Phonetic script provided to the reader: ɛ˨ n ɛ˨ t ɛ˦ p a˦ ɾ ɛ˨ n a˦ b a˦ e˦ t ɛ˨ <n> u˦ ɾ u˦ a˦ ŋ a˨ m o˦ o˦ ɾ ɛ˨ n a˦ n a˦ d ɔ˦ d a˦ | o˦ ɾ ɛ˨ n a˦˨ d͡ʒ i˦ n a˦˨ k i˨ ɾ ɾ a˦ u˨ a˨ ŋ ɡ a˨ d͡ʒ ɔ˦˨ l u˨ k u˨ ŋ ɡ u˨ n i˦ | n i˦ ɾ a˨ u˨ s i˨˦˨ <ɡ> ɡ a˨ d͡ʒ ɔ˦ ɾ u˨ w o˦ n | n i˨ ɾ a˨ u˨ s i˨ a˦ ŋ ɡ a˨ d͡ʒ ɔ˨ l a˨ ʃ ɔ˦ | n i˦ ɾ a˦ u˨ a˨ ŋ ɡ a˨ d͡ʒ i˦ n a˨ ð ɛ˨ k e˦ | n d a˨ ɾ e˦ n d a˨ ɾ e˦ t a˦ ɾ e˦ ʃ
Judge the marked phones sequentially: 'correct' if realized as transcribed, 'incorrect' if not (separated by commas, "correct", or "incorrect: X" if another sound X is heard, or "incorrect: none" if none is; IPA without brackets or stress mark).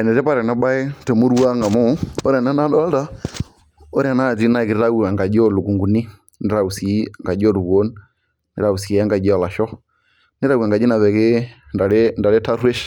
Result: incorrect: m, incorrect: ŋ